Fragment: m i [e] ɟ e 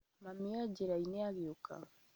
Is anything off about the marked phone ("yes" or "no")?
yes